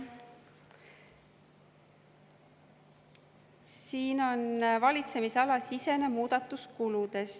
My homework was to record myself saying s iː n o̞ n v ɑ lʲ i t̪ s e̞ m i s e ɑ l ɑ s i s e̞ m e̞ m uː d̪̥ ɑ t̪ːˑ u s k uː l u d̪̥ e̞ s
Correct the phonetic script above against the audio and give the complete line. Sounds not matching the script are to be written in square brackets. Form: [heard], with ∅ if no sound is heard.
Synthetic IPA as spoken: s iː n o̞ n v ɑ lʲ i t̪ s e̞ m i s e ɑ l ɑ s i s e̞ [n] e̞ m uː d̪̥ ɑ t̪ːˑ u s k [u] l u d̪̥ e̞ s

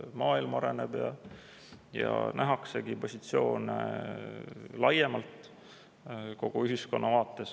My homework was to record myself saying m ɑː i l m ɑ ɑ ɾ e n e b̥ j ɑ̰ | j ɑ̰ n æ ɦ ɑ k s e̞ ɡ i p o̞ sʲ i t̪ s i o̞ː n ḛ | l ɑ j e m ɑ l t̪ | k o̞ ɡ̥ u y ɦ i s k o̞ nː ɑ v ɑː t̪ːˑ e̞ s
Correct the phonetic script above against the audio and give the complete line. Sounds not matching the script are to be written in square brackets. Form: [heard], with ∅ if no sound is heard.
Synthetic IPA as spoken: m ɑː i l m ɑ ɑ ɾ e n e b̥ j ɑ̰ | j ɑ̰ n æ ɦ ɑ k s e̞ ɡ i p o̞ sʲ i t̪ s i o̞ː n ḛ | l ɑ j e m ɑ l t̪ | k o̞ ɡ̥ u y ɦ i s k o̞ nː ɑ v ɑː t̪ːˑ e̞ s

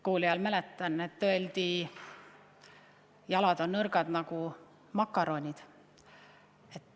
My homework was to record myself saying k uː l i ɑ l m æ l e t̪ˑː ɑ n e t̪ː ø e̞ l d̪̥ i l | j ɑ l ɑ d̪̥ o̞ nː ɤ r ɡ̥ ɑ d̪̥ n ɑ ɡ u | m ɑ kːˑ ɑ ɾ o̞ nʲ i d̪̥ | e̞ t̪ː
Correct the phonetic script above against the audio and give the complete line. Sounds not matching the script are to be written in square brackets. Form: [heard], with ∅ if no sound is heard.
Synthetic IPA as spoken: k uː l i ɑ l m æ l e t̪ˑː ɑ n e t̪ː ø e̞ l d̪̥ i [∅] | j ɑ l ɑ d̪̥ o̞ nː ɤ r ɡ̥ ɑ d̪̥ n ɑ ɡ u | m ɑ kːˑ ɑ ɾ o̞ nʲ i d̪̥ | e̞ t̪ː

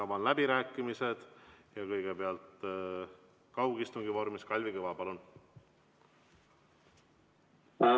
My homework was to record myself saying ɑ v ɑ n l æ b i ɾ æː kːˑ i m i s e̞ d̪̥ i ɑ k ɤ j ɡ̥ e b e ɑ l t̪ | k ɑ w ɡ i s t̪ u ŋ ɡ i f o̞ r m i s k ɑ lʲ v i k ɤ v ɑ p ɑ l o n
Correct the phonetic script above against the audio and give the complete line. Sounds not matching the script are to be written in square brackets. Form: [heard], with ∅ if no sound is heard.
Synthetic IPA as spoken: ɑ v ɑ n l æ b i ɾ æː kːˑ i m i s e̞ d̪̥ [j] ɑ k ɤ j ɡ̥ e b e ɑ l t̪ | k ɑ w ɡ i s t̪ u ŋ ɡ i [v] o̞ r m i s k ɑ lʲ v i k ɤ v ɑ p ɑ l [u] n

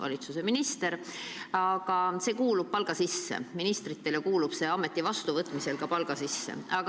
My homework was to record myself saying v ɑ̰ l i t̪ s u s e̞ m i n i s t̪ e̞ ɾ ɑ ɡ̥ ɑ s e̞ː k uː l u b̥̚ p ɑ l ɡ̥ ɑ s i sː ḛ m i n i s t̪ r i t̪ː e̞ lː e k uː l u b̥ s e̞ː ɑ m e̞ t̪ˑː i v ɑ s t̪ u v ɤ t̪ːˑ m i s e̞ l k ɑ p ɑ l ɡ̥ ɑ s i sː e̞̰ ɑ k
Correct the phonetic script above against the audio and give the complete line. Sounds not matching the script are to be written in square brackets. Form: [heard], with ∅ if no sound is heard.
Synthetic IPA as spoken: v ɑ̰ l i t̪ s u s e̞ m i n i s t̪ e̞ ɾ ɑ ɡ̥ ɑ s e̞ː k uː l u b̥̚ p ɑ l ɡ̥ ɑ s i sː ḛ m i n i s t̪ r i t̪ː e̞ [l] e k uː l u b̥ s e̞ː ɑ m e̞ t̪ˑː i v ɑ s t̪ u v ɤ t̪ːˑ m i s e̞ l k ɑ p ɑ l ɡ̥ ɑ s i sː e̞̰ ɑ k

